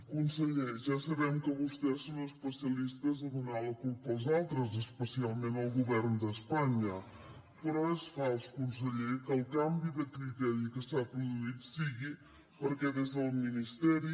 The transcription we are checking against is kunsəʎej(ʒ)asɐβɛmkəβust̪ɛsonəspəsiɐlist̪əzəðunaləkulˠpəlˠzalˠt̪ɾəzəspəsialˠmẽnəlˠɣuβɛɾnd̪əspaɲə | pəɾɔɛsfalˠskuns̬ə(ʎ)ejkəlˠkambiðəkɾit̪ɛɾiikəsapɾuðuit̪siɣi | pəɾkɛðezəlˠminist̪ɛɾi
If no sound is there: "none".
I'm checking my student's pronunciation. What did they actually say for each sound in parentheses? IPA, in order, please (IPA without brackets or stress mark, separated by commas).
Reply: ʒ, ʎ